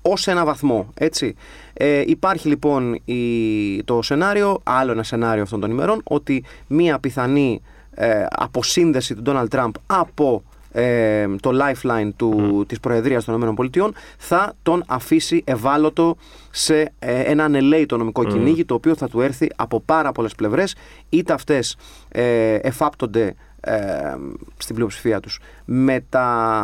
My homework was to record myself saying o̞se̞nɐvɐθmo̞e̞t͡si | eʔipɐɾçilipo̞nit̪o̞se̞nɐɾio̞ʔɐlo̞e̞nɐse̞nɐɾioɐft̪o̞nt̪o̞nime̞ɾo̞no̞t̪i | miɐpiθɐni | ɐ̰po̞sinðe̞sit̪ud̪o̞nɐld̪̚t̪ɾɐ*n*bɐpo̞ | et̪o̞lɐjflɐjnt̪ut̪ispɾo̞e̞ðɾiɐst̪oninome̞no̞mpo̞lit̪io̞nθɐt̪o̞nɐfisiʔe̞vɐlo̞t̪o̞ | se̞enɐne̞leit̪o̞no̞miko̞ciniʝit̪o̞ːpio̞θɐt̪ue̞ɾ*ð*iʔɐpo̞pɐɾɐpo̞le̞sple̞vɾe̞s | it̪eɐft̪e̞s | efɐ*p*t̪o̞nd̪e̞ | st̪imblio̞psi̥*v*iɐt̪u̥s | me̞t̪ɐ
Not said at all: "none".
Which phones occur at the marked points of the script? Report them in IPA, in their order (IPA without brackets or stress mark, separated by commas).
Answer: m, θ, p, f